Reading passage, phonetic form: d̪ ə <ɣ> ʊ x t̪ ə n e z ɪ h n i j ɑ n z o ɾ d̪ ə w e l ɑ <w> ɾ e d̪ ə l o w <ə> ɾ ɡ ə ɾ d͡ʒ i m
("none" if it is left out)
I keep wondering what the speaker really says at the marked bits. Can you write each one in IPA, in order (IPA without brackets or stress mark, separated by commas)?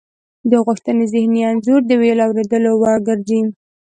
ɣ, w, ɑ